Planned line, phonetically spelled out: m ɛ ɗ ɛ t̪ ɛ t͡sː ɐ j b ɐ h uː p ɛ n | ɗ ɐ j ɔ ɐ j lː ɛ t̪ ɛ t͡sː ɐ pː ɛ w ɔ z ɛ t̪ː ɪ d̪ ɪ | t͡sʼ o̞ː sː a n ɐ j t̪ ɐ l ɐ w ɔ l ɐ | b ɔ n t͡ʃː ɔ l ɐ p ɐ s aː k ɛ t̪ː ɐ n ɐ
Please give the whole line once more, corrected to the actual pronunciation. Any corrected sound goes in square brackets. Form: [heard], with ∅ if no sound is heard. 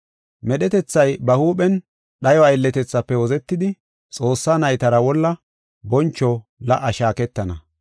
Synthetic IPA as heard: m ɛ ɗ ɛ t̪ ɛ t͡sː ɐ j b ɐ h uː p ɛ n | ɗ ɐ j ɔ ɐ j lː ɛ t̪ ɛ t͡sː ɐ pː ɛ w ɔ z ɛ t̪ː ɪ d̪ ɪ | t͡sʼ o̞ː sː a n ɐ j t̪ ɐ [ɾ] ɐ w ɔ [lː] ɐ | b ɔ n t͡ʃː ɔ l ɐ [ʔ] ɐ [ʃ] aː k ɛ t̪ː ɐ n ɐ